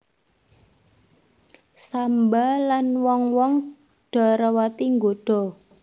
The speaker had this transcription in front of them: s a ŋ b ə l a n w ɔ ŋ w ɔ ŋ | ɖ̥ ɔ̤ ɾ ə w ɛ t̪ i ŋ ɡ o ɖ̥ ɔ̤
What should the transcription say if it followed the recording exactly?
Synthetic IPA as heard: s a m b a l a n w ɔ ŋ w ɔ ŋ | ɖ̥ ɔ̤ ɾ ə w a t̪ i ŋ ɡ o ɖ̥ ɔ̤